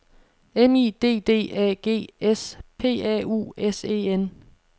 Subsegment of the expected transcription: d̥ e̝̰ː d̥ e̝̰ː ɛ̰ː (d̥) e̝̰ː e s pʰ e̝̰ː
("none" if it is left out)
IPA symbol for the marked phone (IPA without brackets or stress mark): ɡ̥